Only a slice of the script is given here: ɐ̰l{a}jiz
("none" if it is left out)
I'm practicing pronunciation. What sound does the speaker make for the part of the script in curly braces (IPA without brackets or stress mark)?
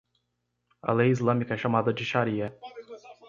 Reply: e